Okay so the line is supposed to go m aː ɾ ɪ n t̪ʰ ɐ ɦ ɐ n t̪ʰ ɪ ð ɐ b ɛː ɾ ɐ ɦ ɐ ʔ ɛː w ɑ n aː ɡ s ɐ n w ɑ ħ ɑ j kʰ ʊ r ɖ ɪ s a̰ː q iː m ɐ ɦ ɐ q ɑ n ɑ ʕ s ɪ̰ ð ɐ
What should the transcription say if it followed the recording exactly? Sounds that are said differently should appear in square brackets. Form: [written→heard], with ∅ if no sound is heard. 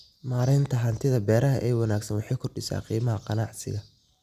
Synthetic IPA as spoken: m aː ɾ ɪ n t̪ʰ ɐ ɦ ɐ n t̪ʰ ɪ ð ɐ b ɛː ɾ ɐ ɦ ɐ ʔ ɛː w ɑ n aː ɡ s ɐ n w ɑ ħ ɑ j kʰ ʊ r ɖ ɪ s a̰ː q iː m ɐ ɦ ɐ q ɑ n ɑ ʕ s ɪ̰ [ð→ɣ] ɐ